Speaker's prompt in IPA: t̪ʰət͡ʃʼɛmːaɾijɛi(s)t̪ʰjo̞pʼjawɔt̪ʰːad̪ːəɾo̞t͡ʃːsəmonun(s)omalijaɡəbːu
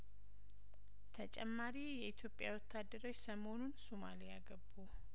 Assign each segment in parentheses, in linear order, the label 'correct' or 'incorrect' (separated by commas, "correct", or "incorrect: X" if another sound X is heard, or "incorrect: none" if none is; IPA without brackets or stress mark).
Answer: incorrect: none, correct